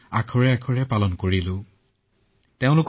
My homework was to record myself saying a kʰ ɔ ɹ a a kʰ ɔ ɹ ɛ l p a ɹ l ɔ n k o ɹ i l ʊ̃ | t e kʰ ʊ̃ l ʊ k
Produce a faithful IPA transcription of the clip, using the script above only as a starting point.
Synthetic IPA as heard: a kʰ ɔ ɹ ɛ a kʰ ɔ ɹ ɛ p a l ɔ n k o ɹ i l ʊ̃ | t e ʊ̃ l ʊ k